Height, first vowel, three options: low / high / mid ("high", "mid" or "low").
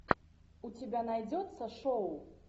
high